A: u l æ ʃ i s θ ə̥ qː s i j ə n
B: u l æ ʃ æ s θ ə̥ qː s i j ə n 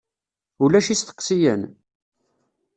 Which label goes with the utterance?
A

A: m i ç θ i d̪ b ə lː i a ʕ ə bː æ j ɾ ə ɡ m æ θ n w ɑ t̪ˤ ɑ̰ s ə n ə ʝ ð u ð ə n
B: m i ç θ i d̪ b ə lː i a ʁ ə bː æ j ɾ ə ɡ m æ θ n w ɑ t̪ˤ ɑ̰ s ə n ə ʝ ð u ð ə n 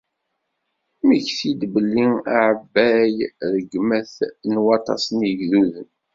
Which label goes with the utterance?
A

